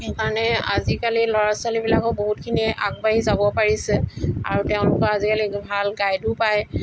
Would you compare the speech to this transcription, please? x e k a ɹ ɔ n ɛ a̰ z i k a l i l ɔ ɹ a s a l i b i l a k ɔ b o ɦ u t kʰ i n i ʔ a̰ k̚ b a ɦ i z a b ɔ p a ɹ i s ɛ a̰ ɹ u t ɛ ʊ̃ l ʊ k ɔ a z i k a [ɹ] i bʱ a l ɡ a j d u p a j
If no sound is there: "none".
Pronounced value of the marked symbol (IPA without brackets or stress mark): l